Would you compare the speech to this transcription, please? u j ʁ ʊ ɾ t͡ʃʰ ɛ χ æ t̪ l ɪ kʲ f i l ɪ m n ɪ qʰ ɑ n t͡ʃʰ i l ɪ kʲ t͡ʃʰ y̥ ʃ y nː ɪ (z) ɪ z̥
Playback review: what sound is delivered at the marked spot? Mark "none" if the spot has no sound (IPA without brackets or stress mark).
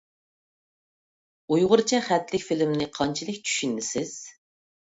s